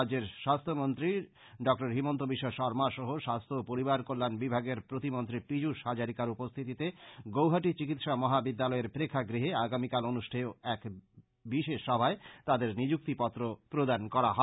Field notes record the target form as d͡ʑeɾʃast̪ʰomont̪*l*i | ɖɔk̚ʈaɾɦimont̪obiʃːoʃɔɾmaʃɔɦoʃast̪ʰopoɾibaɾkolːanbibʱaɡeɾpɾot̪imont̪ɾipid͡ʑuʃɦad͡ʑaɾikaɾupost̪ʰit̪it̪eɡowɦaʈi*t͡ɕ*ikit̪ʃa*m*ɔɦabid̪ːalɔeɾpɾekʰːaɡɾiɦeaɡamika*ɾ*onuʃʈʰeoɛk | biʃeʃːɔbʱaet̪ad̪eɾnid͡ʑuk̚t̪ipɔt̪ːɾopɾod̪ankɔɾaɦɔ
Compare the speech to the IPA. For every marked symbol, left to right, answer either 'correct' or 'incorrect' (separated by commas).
incorrect, correct, correct, incorrect